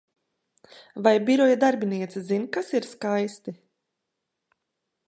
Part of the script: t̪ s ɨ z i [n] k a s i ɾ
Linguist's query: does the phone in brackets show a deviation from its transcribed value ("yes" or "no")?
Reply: no